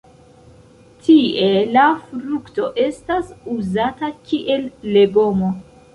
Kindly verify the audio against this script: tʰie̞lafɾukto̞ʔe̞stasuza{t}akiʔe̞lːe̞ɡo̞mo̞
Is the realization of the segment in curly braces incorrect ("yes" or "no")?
no